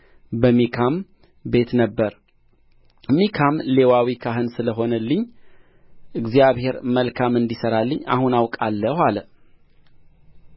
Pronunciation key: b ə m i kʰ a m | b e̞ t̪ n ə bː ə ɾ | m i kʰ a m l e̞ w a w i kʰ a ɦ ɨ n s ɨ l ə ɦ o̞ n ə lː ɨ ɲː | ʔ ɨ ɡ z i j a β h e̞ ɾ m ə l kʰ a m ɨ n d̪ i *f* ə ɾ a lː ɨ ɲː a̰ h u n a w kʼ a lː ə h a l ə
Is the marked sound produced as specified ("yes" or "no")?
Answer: no